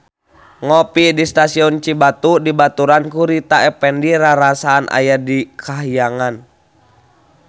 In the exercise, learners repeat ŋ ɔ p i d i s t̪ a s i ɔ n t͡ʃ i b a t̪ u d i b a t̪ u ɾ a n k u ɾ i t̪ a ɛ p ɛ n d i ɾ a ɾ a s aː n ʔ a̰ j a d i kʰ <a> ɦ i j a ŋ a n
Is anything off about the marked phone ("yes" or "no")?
no